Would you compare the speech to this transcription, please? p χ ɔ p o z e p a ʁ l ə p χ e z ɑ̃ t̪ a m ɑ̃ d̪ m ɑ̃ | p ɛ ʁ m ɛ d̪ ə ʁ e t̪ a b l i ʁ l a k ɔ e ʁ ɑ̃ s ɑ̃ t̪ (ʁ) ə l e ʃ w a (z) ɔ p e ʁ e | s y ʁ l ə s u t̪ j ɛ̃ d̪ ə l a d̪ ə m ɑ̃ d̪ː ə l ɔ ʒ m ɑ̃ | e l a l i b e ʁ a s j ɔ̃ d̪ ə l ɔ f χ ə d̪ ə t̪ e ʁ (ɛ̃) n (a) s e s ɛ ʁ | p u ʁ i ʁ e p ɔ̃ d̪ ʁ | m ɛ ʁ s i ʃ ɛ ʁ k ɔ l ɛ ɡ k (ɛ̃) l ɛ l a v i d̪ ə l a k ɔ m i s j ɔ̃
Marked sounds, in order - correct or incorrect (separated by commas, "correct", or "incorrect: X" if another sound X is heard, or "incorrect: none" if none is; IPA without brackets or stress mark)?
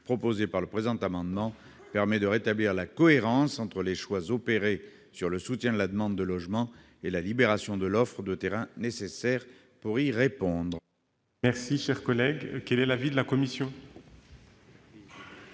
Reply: incorrect: χ, correct, correct, incorrect: e, incorrect: ɛ